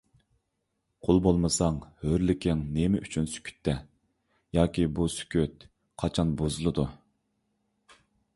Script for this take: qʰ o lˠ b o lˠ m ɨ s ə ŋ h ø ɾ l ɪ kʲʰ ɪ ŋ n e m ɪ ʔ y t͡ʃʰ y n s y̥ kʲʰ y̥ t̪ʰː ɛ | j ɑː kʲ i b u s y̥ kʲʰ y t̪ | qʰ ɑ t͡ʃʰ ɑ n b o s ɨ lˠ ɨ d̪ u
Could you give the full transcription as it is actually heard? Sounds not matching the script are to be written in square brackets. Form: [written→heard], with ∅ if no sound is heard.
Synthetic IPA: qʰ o lˠ b o lˠ m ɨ s [ə→ɑ] ŋ h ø ɾ l ɪ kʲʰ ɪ ŋ n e m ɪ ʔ y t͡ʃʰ y n s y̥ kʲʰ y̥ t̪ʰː ɛ | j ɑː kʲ i b u s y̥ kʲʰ y t̪ | qʰ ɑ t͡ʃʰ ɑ n b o [s→z] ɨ lˠ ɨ d̪ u